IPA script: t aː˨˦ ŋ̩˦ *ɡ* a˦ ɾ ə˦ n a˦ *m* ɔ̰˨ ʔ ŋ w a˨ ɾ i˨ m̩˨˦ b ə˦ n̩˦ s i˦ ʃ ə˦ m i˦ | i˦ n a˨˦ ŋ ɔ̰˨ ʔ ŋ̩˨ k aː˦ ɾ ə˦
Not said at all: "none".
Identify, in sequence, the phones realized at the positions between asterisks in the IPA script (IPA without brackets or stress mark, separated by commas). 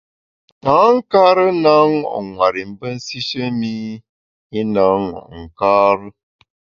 k, ŋ